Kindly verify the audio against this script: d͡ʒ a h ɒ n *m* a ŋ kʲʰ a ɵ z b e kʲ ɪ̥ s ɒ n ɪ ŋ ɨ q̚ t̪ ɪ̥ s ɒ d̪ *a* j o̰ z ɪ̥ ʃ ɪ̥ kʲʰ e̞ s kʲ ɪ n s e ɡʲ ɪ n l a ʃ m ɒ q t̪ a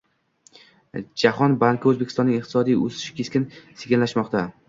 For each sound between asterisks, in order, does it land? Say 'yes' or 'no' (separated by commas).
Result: no, no